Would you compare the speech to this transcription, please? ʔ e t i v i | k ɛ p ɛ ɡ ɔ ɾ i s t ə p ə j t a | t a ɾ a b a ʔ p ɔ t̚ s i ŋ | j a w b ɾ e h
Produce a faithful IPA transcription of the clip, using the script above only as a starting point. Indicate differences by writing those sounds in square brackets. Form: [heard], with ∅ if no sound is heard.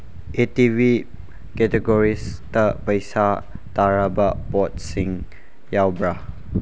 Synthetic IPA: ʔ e t i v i | k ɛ [t] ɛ ɡ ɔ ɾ i s t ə p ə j [s] a | t a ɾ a b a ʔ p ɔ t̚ s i ŋ | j a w b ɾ [a] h